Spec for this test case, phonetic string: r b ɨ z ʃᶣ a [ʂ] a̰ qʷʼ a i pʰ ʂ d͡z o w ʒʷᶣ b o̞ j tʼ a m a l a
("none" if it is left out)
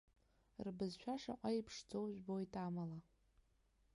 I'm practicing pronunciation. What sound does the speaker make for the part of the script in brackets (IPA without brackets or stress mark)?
ʂ